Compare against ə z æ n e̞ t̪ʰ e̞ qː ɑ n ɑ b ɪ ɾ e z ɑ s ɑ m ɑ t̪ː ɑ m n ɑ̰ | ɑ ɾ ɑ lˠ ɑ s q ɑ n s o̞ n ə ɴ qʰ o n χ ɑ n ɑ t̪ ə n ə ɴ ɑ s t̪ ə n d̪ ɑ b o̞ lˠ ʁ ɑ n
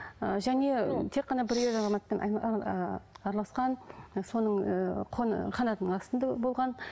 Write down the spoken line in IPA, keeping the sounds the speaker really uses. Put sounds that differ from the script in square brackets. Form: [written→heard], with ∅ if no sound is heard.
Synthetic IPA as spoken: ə [z→ʒ] æ n e̞ t̪ʰ e̞ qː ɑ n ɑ b ɪ ɾ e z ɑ [s→z] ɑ m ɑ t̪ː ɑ [m→∅] n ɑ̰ | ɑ ɾ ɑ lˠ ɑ s q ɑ n s o̞ n ə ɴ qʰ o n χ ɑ n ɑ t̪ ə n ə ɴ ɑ s t̪ ə n d̪ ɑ b o̞ lˠ ʁ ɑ n

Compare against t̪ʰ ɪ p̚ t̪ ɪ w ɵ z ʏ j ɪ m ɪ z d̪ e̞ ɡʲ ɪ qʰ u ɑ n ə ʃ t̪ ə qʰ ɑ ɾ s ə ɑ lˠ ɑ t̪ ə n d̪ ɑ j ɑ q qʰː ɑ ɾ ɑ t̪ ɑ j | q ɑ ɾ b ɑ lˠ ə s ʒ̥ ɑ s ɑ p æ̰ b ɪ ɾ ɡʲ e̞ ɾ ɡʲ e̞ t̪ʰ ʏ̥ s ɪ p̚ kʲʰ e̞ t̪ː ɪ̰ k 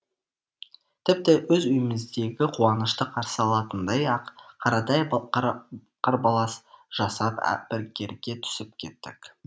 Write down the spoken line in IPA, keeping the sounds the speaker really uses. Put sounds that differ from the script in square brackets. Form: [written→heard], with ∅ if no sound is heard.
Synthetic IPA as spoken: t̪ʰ ɪ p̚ t̪ ɪ w ɵ z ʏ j ɪ m ɪ z d̪ e̞ ɡʲ ɪ qʰ u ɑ n ə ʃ t̪ ə qʰ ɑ ɾ s ə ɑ lˠ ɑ t̪ ə n d̪ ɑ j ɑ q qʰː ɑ ɾ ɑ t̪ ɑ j | q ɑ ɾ b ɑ lˠ [ə→ɑ] s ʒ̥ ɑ s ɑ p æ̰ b ɪ ɾ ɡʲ e̞ ɾ ɡʲ e̞ t̪ʰ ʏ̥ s ɪ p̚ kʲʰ e̞ t̪ː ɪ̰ k

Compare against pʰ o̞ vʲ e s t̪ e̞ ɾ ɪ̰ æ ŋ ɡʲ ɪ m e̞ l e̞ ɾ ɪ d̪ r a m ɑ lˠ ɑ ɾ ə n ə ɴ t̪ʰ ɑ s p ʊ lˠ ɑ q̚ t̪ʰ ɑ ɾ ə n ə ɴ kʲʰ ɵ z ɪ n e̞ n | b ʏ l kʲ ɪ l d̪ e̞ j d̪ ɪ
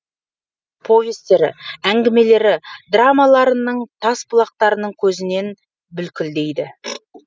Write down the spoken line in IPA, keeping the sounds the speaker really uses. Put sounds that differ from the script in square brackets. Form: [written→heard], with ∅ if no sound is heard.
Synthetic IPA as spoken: pʰ o̞ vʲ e s t̪ e̞ ɾ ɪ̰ æ ŋ ɡʲ ɪ m e̞ l e̞ ɾ ɪ d̪ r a m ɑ lˠ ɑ ɾ ə n ə ɴ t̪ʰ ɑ s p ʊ lˠ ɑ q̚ [t̪ʰ→t̪] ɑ ɾ ə n ə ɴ kʲʰ ɵ z ɪ n e̞ n | b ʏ l kʲ ɪ l d̪ e̞ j d̪ ɪ

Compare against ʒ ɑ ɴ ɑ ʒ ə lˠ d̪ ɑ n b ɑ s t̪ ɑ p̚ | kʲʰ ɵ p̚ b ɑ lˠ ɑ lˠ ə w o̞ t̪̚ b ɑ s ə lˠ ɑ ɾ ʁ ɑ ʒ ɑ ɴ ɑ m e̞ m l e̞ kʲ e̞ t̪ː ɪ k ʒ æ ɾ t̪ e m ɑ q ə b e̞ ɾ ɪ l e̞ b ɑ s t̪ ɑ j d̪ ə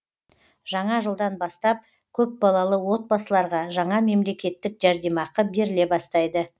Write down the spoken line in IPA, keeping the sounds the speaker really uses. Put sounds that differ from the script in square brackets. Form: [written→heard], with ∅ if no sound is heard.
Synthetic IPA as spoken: ʒ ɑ ɴ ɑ ʒ ə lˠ d̪ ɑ n b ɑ s t̪ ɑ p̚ | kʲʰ ɵ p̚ b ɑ lˠ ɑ lˠ ə w o̞ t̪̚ b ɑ s ə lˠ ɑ ɾ ʁ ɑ ʒ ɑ ɴ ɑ m e̞ m l e̞ kʲ e̞ t̪ː ɪ k ʒ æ ɾ [t̪→d̪] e m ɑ q ə b e̞ ɾ ɪ l e̞ b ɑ s t̪ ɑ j d̪ ə

